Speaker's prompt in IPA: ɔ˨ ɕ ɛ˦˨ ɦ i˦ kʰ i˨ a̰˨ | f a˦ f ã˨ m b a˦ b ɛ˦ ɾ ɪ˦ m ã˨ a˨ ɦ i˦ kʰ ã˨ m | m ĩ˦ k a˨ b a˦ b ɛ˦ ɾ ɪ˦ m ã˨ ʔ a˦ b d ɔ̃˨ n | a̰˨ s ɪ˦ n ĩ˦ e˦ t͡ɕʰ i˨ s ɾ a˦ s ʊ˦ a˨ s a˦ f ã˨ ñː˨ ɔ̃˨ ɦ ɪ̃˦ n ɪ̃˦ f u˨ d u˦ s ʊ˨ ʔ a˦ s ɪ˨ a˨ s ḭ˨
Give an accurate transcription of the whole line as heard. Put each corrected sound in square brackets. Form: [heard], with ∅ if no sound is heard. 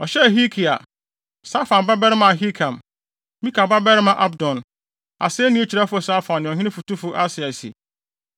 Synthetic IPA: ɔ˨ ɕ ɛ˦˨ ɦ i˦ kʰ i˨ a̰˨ | [s] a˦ f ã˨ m b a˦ b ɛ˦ ɾ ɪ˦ m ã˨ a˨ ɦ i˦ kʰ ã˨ m | m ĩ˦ k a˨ b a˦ b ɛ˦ ɾ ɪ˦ m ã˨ ʔ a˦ b d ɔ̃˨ n | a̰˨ s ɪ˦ n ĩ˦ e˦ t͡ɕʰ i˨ [∅] ɾ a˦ [f] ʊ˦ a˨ s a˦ f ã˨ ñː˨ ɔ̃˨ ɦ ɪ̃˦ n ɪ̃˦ f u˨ [t] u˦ [f] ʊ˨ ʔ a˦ s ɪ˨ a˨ s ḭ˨